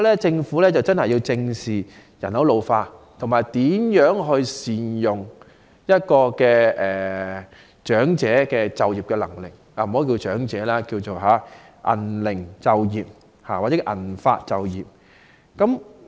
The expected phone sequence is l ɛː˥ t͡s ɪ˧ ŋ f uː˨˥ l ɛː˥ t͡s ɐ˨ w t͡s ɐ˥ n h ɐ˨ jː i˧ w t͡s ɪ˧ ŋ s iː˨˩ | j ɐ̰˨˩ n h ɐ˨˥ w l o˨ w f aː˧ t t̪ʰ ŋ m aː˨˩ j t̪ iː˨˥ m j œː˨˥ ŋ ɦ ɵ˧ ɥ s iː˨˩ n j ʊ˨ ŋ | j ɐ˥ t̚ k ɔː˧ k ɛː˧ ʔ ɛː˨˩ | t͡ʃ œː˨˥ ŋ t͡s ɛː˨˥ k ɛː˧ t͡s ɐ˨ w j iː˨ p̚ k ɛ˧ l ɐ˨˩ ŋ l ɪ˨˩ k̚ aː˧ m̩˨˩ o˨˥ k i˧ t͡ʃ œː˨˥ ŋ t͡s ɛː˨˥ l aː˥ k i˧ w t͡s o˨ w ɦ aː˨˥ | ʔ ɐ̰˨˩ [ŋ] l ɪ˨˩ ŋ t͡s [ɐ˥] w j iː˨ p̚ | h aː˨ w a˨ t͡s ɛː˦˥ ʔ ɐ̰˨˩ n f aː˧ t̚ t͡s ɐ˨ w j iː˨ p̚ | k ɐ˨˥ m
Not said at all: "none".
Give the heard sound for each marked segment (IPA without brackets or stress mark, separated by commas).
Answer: n, ɐ˨